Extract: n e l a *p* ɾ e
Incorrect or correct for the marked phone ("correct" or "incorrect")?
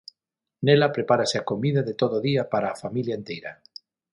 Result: correct